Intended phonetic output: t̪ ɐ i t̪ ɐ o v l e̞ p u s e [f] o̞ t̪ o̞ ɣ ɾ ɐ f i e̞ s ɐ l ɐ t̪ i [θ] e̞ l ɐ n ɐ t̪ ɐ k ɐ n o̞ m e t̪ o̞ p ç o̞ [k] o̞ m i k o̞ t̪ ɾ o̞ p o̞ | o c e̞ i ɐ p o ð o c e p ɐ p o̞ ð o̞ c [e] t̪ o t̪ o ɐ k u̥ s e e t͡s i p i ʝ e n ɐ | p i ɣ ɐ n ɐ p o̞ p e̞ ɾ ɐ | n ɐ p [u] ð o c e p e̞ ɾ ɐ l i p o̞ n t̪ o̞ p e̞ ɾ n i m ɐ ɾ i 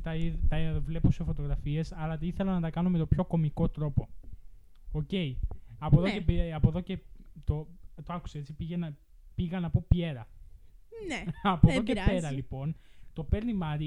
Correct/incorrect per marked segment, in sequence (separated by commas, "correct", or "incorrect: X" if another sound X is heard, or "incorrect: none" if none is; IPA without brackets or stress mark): correct, correct, correct, correct, incorrect: o